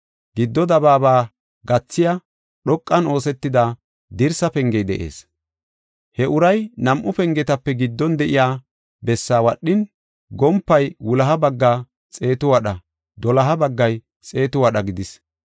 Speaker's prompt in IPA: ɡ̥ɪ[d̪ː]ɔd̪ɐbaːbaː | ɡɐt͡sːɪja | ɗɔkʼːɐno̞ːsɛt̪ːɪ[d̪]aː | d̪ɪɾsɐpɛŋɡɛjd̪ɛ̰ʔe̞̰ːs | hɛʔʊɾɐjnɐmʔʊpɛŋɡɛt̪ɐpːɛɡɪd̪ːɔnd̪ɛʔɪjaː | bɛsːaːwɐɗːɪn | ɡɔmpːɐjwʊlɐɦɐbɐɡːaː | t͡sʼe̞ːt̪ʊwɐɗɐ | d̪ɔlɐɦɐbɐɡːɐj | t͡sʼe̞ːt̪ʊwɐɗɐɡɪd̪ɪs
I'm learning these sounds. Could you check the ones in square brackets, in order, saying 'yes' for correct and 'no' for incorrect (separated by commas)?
yes, yes